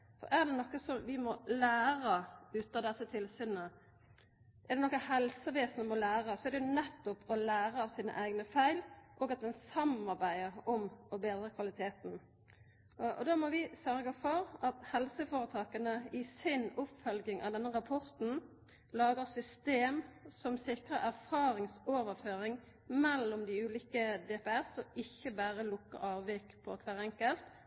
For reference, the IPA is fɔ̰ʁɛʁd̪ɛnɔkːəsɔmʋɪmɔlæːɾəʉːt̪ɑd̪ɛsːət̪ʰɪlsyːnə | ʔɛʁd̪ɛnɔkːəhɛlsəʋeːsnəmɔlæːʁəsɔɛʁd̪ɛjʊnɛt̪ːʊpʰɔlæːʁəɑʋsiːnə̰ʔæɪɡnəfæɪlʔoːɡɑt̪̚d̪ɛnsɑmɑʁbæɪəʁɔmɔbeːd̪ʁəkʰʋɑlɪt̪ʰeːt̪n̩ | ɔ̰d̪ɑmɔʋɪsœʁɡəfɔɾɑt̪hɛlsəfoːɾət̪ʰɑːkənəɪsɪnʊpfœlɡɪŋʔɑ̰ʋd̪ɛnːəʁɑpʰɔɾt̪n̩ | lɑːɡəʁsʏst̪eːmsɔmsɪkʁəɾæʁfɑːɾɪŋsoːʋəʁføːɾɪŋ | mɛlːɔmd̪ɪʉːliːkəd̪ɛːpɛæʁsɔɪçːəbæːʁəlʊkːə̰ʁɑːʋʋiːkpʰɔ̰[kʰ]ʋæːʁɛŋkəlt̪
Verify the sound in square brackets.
correct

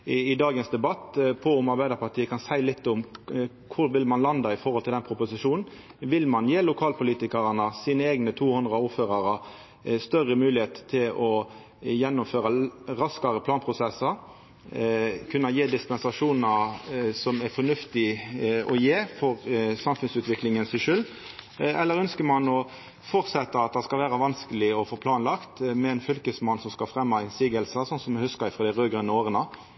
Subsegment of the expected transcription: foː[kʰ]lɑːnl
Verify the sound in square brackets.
incorrect: pʰ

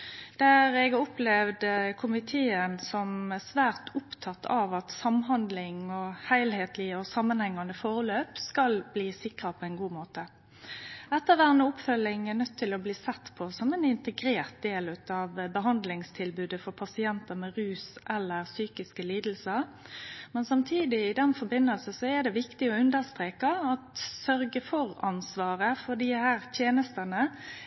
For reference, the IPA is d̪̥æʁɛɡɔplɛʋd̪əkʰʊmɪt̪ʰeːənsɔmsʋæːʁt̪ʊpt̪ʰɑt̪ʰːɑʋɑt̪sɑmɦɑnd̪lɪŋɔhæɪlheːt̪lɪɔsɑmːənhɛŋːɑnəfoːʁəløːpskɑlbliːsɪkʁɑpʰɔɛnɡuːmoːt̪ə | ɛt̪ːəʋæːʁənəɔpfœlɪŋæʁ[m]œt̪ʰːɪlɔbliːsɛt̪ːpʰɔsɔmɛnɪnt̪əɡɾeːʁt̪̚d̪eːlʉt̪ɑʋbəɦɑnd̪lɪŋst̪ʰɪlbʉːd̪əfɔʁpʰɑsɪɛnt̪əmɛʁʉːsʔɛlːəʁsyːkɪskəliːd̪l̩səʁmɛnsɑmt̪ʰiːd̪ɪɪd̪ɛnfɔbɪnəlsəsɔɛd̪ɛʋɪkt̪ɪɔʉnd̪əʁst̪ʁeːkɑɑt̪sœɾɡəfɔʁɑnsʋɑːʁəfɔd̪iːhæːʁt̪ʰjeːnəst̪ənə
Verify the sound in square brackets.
incorrect: n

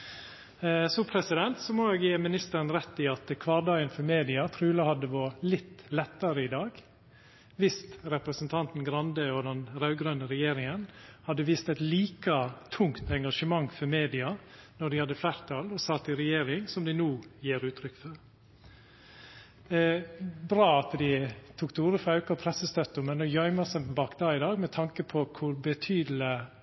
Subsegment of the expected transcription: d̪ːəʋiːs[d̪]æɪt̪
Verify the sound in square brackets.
incorrect: t̪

